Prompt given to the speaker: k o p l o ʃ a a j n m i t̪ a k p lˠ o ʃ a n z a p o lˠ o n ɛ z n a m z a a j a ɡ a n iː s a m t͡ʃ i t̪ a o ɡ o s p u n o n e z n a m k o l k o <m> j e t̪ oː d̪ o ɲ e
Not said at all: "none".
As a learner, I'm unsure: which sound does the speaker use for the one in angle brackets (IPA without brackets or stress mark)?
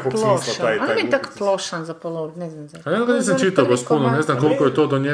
none